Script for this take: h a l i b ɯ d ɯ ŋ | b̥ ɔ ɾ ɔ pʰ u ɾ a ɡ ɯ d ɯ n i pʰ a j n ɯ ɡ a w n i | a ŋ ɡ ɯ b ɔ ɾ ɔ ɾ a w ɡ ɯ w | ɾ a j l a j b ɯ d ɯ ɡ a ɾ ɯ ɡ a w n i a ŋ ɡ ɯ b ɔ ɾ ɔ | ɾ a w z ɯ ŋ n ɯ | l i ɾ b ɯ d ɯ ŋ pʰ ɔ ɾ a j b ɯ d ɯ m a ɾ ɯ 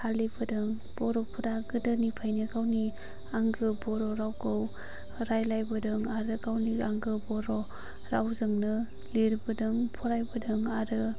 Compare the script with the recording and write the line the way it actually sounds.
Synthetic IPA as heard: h a l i b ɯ d ɯ ŋ | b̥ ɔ ɾ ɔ pʰ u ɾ a ɡ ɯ d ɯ n i pʰ a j n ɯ ɡ a w n i | a ŋ ɡ ɯ b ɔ ɾ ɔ ɾ a w ɡ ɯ w | ɾ a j l a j b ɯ d ɯ ŋ a ɾ ɯ ɡ a w n i a ŋ ɡ ɯ b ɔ ɾ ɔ | ɾ a w z ɯ ŋ n ɯ | l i ɾ b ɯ d ɯ ŋ pʰ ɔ ɾ a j b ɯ d ɯ ŋ a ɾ ɯ